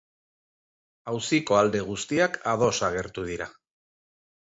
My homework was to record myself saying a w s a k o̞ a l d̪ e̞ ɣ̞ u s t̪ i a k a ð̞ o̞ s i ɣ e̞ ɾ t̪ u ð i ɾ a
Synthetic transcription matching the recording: a w s i k o̞ a l d̪ e̞ ɣ̞ u s t̪ i a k a ð̞ o̞ s a ɣ e̞ ɾ t̪ u ð i ɾ a